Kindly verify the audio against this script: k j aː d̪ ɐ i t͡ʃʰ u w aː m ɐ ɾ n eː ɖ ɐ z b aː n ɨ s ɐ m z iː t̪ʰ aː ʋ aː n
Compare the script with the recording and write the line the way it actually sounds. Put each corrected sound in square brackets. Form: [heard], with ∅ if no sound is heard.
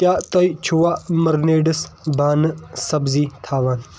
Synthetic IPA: k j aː [t̪] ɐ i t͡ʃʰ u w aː m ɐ ɾ n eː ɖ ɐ [s] b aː n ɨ s ɐ [b] z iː t̪ʰ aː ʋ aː n